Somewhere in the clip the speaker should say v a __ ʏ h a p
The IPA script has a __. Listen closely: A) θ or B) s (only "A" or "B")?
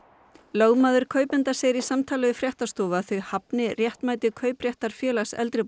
A